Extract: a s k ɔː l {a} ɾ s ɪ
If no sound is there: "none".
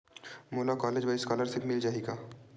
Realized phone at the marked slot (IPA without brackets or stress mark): ə